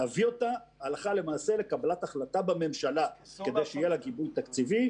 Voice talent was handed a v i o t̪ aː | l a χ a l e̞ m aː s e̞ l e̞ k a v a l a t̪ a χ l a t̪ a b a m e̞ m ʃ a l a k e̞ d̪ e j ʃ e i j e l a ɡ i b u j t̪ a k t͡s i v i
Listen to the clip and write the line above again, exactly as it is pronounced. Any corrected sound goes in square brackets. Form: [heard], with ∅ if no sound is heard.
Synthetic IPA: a v i o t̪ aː | l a χ a l e̞ m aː s e̞ l e̞ k a [b] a l a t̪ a χ l a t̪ a b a m e̞ m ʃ a l a k e̞ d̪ e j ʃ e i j e l a ɡ i b u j t̪ a k t͡s i v i